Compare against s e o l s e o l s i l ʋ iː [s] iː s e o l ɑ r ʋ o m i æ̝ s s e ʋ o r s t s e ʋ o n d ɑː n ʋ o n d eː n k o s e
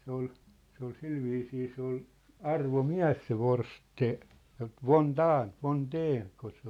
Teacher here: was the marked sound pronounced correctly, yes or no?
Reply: yes